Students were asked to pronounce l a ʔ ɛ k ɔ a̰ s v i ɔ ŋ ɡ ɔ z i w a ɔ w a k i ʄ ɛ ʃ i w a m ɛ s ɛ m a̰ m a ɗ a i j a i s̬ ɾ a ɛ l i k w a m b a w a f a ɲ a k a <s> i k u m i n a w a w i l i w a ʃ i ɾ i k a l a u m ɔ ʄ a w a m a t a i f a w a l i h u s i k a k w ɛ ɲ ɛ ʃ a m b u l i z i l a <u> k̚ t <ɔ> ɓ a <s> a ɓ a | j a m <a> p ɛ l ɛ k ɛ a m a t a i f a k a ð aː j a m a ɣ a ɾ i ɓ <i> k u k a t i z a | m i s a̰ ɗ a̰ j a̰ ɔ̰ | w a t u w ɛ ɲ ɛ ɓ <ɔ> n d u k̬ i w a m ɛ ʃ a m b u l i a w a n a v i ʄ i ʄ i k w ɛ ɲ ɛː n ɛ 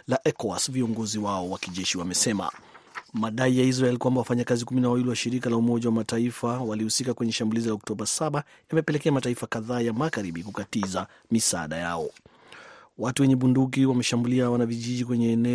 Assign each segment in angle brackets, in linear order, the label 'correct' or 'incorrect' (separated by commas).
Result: incorrect, incorrect, correct, correct, incorrect, correct, incorrect